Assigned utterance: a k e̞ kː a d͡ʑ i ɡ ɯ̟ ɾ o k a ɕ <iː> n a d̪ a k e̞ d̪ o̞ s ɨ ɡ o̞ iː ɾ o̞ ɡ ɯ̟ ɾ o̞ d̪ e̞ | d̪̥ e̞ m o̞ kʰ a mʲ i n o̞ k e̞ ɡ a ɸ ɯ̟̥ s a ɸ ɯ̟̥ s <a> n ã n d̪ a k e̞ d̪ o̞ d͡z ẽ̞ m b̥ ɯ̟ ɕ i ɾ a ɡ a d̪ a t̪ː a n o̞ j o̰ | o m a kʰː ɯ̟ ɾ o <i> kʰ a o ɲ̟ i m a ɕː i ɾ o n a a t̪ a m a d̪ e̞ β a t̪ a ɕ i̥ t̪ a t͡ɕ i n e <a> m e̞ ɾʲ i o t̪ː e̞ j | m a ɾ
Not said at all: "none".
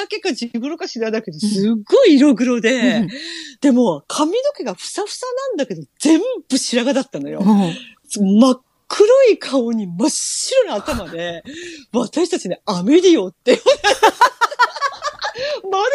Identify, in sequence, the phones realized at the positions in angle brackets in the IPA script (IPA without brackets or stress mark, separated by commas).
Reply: i, a, i, a